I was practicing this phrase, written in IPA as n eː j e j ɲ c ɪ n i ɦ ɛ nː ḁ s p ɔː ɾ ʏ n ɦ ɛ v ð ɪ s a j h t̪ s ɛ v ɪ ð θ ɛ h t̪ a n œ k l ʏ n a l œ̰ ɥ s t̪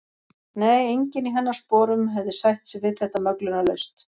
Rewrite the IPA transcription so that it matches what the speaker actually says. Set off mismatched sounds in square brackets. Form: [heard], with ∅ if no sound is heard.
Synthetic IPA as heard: n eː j e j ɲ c ɪ n i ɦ ɛ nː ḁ s p ɔː ɾ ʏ [m] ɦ ɛ v ð ɪ s a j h t̪ s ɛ v ɪ ð θ ɛ h t̪ a [m] œ k l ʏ n a l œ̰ ɥ s t̪